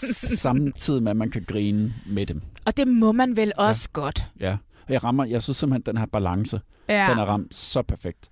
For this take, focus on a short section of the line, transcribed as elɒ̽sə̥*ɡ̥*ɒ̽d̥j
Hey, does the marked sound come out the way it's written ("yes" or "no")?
yes